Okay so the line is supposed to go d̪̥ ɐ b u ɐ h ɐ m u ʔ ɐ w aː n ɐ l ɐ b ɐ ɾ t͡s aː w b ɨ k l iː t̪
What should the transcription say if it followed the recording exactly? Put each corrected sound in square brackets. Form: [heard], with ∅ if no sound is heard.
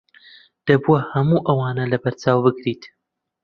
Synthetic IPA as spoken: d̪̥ ɐ b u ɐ h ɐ m u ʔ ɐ w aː n ɐ l ɐ b ɐ ɾ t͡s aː w b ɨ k [ɾ] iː t̪